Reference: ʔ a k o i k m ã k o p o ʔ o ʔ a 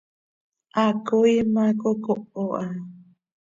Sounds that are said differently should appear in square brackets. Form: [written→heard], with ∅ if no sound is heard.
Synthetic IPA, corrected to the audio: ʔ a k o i [k→∅] m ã k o [p→k] o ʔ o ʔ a